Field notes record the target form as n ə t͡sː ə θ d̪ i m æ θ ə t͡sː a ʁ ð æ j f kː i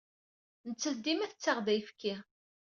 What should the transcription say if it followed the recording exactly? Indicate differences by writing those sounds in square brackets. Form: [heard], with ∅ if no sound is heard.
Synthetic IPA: n ə t͡sː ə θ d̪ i m æ θ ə t͡sː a ʁ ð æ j f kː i